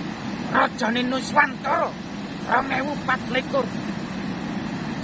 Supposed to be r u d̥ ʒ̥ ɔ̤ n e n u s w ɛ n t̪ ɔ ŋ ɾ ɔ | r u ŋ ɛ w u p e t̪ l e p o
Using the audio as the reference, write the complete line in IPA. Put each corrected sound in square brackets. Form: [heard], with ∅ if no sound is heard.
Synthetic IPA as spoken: r [ɔ] d̥ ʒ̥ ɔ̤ n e n u s w [a] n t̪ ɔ [∅] ɾ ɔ | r [ɔ] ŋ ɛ w u p [a] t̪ l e [k] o